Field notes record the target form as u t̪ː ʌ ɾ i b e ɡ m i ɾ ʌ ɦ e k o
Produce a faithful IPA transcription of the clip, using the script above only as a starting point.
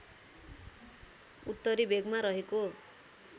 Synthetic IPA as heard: u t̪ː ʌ ɾ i b e ɡ m a ɾ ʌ ɦ e k o